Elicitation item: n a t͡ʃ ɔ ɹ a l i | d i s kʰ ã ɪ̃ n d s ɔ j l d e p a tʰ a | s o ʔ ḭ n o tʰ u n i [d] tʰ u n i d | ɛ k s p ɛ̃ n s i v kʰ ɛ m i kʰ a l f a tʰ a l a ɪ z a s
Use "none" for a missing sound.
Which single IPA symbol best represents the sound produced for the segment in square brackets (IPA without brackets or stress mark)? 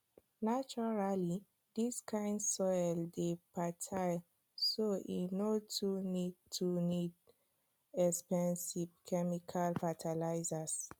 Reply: d